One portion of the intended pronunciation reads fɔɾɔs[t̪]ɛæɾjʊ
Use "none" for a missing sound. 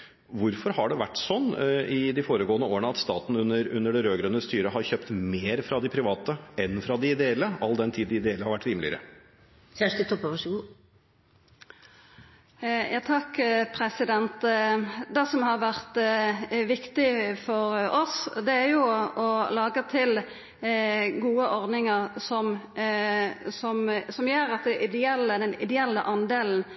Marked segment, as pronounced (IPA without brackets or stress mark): d̪